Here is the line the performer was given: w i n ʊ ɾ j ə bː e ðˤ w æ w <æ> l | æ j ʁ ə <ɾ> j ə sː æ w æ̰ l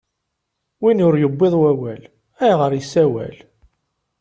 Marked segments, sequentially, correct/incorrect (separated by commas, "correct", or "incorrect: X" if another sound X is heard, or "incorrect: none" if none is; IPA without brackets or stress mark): correct, correct